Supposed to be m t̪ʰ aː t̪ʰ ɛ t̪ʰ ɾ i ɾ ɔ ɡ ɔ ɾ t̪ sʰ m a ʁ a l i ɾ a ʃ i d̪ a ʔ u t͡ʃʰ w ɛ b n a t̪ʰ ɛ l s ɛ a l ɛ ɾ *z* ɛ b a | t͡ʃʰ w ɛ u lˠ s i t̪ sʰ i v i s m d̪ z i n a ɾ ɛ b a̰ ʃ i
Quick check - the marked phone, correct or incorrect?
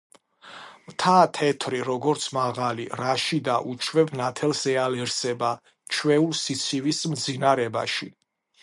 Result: incorrect